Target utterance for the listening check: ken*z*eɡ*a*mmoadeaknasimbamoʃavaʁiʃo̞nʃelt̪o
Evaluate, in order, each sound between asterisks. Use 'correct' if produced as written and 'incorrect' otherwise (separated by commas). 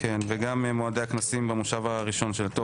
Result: incorrect, correct